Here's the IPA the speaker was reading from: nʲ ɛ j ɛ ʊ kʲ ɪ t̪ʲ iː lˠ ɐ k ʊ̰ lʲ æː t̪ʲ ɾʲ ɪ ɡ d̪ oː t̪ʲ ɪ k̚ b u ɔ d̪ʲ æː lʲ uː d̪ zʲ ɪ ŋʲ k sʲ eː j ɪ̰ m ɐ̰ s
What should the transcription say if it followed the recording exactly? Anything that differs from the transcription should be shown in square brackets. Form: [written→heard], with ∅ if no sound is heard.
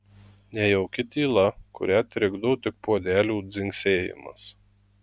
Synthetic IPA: nʲ ɛ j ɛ ʊ kʲ ɪ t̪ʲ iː lˠ ɐ k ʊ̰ [lʲ→ɾʲ] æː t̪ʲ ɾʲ ɪ ɡ d̪ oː t̪ʲ ɪ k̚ [b→p] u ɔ d̪ʲ æː lʲ uː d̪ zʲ ɪ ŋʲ k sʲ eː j ɪ̰ m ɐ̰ s

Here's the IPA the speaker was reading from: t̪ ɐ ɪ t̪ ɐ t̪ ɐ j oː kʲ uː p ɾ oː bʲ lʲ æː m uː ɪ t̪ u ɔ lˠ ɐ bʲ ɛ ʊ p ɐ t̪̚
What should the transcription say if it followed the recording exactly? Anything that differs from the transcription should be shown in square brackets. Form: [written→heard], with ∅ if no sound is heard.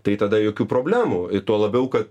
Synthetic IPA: t̪ ɐ ɪ t̪ ɐ [t̪→d̪] ɐ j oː kʲ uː p ɾ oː bʲ lʲ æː m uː ɪ t̪ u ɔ lˠ ɐ bʲ ɛ ʊ [p→k] ɐ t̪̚

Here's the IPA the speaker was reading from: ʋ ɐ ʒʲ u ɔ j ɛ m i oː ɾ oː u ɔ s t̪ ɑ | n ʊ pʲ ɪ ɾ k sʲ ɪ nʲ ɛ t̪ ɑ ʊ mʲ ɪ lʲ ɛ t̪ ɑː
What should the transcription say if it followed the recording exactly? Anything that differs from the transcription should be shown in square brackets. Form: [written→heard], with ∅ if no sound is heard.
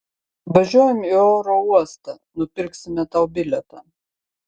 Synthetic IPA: ʋ ɐ ʒʲ u ɔ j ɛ m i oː ɾ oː u ɔ s t̪ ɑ | n ʊ pʲ ɪ ɾ k sʲ ɪ [nʲ→mʲ] ɛ t̪ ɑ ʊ [mʲ→bʲ] ɪ lʲ ɛ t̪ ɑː

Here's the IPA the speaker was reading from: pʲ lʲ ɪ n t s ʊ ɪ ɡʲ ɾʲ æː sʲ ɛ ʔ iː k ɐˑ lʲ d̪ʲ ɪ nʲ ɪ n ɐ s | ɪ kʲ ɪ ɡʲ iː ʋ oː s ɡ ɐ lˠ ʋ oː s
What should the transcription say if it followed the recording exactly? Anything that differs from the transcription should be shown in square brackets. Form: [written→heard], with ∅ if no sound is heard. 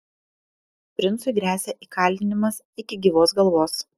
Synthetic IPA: pʲ [lʲ→ɾʲ] ɪ n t s ʊ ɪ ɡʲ ɾʲ æː sʲ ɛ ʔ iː k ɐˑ lʲ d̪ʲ ɪ nʲ ɪ [n→m] ɐ s | ɪ kʲ ɪ ɡʲ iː ʋ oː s ɡ ɐ lˠ ʋ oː s

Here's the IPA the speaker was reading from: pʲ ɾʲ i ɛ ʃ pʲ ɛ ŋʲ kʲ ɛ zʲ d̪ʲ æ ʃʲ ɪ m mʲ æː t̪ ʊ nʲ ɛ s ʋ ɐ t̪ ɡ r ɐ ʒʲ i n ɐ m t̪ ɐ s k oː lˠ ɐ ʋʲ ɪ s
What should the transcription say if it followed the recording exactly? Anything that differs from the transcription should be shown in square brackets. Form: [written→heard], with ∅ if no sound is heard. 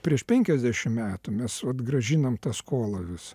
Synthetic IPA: pʲ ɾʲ i ɛ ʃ pʲ ɛ ŋʲ kʲ ɛ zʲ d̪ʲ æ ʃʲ ɪ m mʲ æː t̪ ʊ [nʲ→mʲ] ɛ s ʋ ɐ t̪ ɡ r ɐ ʒʲ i n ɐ m t̪ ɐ s k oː lˠ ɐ ʋʲ ɪ s

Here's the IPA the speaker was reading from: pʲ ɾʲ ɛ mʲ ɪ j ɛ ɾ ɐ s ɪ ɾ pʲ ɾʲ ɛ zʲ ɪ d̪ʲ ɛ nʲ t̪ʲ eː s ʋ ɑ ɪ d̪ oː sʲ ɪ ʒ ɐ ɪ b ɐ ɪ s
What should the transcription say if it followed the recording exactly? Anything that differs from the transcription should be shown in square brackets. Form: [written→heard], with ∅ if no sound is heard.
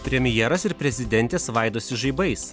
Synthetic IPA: pʲ ɾʲ ɛ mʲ ɪ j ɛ ɾ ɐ s ɪ ɾ pʲ ɾʲ ɛ zʲ ɪ d̪ʲ ɛ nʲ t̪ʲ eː s ʋ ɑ ɪ d̪ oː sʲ ɪ ʒ ɐ ɪ b ɐ ɪ s

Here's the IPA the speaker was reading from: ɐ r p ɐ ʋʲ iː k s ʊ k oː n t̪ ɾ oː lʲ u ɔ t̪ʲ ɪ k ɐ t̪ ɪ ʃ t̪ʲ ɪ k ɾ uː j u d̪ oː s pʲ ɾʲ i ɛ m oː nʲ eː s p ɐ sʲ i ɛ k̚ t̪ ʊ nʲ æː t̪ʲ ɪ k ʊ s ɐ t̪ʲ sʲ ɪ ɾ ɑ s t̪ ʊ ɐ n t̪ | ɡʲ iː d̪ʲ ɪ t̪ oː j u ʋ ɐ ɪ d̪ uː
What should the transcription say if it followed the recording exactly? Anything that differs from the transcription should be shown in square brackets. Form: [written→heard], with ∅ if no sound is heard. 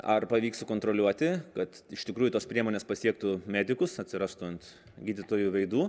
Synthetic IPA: ɐ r p ɐ ʋʲ iː k s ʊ k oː n t̪ ɾ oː lʲ u ɔ t̪ʲ ɪ k ɐ t̪ ɪ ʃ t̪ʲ ɪ k ɾ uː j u [d̪→t̪] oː s pʲ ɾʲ i ɛ m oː nʲ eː s p ɐ sʲ i ɛ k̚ t̪ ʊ [nʲ→mʲ] æː [t̪ʲ→d̪ʲ] ɪ k ʊ s ɐ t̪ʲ sʲ ɪ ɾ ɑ s t̪ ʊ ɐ n t̪ | ɡʲ iː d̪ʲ ɪ t̪ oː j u ʋ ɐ ɪ d̪ uː

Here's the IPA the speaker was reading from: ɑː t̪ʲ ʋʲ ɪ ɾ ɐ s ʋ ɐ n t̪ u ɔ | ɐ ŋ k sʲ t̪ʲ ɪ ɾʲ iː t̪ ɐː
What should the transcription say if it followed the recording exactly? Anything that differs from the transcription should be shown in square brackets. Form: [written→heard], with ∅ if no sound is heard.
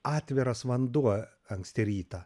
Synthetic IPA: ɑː t̪ʲ ʋʲ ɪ ɾ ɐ s ʋ ɐ n [t̪→d̪] u ɔ | ɐ ŋ k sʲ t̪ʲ ɪ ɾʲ iː t̪ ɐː

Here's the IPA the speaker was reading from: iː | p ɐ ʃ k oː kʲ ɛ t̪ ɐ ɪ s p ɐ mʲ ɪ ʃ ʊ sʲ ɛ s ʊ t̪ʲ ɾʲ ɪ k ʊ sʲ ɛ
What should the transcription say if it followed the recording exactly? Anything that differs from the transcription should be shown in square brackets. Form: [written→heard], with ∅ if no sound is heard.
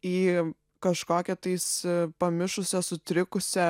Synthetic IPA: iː | [p→k] ɐ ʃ k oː kʲ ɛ t̪ ɐ ɪ s p ɐ mʲ ɪ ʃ ʊ sʲ ɛ s ʊ t̪ʲ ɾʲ ɪ k ʊ sʲ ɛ

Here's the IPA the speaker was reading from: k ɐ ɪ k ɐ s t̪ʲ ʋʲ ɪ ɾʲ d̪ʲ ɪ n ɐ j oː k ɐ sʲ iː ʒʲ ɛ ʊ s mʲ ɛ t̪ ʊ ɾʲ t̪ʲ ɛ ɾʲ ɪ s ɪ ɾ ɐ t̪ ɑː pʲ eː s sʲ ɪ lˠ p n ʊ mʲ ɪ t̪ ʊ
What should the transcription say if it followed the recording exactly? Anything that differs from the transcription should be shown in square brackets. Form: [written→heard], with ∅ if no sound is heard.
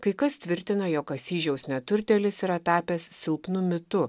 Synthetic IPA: k ɐ ɪ k ɐ s t̪ʲ ʋʲ ɪ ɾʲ [d̪ʲ→t̪ʲ] ɪ n ɐ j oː k ɐ sʲ iː ʒʲ ɛ ʊ s [mʲ→nʲ] ɛ t̪ ʊ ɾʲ t̪ʲ ɛ [ɾʲ→lʲ] ɪ s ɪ ɾ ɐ t̪ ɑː pʲ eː s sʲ ɪ lˠ p n ʊ mʲ ɪ t̪ ʊ

